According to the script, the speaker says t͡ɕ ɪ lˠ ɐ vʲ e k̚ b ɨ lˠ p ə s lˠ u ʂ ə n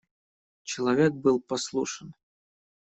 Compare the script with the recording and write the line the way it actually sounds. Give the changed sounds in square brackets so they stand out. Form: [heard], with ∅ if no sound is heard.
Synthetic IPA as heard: t͡ɕ ɪ lˠ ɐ vʲ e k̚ b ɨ lˠ p [ɐ] s lˠ u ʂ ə n